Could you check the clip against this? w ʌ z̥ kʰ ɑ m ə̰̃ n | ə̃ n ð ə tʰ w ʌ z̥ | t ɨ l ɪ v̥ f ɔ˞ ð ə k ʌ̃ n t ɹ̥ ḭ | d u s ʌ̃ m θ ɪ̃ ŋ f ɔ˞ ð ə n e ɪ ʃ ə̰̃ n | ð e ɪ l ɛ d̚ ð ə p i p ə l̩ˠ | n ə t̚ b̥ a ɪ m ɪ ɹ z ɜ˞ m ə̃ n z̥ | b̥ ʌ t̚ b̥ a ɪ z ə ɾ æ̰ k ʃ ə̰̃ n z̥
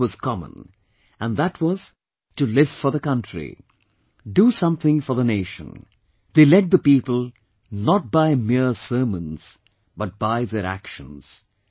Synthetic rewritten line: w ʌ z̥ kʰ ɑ m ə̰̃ n | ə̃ n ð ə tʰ w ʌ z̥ | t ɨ l ɪ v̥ f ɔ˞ ð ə k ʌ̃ n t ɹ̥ ḭ | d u s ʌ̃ m θ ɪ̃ ŋ f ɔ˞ ð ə n e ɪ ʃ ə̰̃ n | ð e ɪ l ɛ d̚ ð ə p i p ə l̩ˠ | n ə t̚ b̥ a ɪ m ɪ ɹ s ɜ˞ m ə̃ n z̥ | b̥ ʌ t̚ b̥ a ɪ ð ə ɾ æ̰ k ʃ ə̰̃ n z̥